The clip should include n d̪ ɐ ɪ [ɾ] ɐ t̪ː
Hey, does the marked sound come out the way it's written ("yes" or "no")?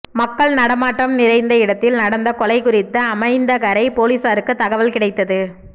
no